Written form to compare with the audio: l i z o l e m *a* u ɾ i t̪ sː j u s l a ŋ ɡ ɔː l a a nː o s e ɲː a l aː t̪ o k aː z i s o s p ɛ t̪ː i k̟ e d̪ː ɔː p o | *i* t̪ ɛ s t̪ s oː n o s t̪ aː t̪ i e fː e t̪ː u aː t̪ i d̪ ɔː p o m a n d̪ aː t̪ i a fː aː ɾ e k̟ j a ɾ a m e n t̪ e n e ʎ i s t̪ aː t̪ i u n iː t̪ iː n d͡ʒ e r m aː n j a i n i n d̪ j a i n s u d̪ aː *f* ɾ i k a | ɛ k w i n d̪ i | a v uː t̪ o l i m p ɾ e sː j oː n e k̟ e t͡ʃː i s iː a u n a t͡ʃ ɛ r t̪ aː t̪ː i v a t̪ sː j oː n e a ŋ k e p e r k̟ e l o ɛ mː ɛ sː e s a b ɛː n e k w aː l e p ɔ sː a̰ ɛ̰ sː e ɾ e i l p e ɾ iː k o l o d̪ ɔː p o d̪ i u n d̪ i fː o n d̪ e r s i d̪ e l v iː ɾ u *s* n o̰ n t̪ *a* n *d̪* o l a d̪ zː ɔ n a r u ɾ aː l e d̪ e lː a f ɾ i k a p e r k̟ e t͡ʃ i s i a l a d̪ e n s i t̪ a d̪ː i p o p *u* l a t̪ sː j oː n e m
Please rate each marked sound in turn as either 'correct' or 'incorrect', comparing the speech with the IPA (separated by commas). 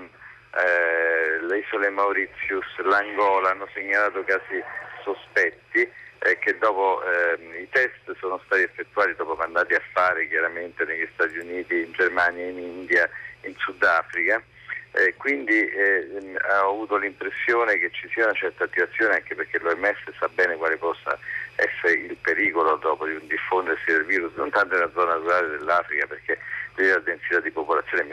correct, correct, correct, correct, correct, incorrect, incorrect